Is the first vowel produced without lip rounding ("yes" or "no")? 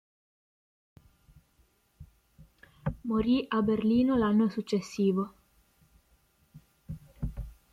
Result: no